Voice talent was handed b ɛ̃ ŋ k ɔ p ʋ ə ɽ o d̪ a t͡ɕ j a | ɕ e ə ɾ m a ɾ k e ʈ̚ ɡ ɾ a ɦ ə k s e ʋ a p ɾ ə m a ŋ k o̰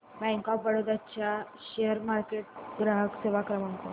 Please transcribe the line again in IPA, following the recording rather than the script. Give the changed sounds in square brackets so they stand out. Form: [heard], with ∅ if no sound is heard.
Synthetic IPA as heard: b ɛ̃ ŋ k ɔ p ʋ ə ɽ o d̪ a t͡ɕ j a | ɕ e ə ɾ m a ɾ k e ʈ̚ ɡ ɾ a ɦ ə k s e ʋ a [k] ɾ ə m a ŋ k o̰